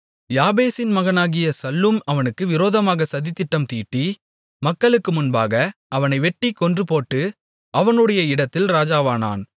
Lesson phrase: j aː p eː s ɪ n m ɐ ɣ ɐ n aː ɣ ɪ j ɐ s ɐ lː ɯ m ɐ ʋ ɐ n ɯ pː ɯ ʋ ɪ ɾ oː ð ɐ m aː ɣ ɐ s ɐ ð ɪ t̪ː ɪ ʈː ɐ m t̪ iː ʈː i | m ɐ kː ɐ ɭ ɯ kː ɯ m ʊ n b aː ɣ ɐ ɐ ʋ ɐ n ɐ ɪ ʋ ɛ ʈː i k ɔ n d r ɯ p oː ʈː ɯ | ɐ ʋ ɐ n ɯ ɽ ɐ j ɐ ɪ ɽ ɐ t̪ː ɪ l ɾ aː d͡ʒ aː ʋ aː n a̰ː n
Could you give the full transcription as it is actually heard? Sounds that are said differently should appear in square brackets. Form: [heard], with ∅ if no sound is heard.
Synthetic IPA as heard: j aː [b] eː s ɪ n m ɐ ɣ ɐ n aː ɣ ɪ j ɐ s ɐ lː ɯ m ɐ ʋ ɐ n ɯ [kː] ɯ ʋ ɪ ɾ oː ð ɐ m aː ɣ ɐ s ɐ ð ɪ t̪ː ɪ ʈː ɐ m t̪ iː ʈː i | m ɐ kː ɐ ɭ ɯ kː ɯ m ʊ n b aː ɣ ɐ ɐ ʋ ɐ n ɐ ɪ ʋ ɛ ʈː i k ɔ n d r ɯ p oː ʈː ɯ | ɐ ʋ ɐ n ɯ ɽ ɐ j ɐ ɪ ɽ ɐ t̪ː ɪ l ɾ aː d͡ʒ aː ʋ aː n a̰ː n